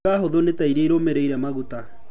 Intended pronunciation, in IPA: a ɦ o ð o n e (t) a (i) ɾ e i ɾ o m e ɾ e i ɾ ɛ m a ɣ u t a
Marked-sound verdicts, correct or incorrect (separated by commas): correct, correct